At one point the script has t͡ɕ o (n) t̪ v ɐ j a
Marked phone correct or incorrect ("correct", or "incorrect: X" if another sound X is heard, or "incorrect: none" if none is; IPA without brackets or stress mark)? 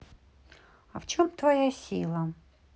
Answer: incorrect: m